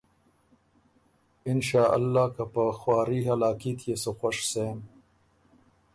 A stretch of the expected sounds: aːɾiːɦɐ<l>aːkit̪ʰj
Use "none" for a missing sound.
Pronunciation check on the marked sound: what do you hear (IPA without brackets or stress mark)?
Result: l